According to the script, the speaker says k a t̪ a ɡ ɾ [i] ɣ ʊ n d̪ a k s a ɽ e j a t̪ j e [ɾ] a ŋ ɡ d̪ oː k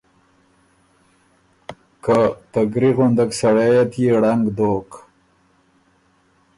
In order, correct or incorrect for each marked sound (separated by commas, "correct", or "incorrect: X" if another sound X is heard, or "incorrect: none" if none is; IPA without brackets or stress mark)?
correct, incorrect: ɽ